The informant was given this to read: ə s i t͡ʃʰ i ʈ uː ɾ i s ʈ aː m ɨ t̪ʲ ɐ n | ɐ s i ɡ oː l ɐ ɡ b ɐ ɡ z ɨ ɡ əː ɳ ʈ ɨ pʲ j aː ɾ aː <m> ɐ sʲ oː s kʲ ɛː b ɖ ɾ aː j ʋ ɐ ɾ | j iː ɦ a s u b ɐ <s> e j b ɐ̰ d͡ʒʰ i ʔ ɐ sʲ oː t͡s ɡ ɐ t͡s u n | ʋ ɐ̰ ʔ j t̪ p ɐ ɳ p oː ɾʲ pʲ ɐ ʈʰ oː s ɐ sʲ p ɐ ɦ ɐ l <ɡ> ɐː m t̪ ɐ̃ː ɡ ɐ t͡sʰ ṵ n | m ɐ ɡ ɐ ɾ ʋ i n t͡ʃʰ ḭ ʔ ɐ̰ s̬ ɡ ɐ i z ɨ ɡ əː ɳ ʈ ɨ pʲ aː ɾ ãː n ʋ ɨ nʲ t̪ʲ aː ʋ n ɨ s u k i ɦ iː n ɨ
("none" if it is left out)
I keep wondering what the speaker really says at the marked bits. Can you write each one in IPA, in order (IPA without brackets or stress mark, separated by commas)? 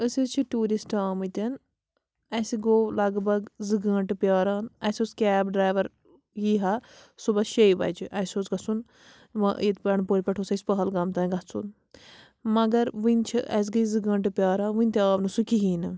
n, ʃ, ɡ